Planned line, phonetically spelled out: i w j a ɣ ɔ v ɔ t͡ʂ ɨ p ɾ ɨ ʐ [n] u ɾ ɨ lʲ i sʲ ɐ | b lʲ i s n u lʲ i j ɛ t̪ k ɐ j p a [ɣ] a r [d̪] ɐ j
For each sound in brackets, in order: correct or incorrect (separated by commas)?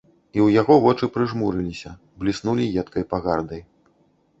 incorrect, correct, correct